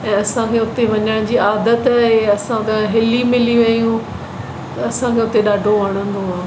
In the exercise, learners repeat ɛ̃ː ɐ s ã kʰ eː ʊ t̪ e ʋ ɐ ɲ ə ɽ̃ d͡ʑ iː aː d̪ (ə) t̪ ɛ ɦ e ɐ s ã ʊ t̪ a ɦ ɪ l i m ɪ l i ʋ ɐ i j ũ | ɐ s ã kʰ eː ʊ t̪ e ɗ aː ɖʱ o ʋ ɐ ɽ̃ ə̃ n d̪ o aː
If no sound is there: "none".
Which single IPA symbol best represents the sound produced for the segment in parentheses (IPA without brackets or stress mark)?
ə